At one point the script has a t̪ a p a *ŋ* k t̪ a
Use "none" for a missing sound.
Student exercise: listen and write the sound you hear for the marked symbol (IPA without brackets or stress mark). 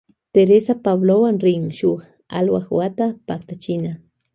none